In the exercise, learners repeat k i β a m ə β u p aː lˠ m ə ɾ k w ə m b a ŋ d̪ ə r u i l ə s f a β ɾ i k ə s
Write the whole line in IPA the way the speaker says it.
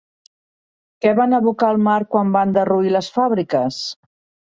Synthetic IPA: k ɛ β a n ə β u k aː lˠ m a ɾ k w a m b a n d̪ ə r u i l ə s f a β ɾ i k ə s